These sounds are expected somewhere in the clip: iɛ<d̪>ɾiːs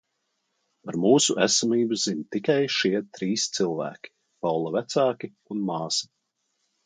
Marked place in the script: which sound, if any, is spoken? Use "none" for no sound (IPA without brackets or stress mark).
t̪